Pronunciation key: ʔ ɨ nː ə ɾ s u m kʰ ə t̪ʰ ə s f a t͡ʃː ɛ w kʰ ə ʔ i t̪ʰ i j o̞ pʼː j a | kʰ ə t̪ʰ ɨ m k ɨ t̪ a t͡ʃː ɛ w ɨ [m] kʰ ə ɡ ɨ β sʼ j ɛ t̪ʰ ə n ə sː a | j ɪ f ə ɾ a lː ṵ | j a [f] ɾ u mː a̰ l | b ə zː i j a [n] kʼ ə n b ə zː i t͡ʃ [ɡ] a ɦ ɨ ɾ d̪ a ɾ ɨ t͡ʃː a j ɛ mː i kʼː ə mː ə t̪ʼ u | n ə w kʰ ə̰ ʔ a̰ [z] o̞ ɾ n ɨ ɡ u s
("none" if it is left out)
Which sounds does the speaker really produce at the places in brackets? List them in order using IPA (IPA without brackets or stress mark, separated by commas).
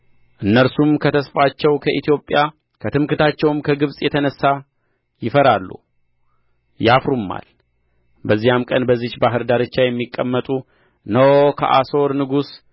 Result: m, f, m, b, s